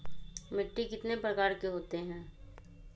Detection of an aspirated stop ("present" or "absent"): absent